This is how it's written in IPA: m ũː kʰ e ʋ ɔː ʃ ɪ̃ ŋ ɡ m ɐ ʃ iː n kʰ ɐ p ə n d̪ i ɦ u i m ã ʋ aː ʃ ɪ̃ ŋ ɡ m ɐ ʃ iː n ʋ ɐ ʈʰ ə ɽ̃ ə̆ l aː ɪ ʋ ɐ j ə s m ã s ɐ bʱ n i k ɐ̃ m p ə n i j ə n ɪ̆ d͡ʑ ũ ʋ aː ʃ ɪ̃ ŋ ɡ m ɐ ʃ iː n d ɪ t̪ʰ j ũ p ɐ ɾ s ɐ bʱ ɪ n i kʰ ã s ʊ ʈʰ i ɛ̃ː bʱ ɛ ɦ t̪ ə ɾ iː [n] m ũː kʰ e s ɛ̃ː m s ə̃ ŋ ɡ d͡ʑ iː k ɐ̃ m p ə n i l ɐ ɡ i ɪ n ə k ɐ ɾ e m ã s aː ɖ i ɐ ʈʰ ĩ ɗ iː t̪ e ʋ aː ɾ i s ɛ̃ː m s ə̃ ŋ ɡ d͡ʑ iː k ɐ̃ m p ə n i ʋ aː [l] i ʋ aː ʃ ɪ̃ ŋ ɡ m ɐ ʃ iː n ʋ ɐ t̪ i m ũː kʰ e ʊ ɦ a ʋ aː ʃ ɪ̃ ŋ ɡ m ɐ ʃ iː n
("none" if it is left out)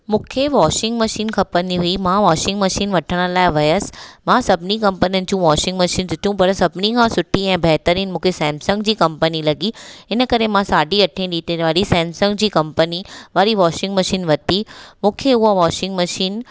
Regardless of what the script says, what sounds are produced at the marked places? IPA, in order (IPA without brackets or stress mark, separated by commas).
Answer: n, ɾ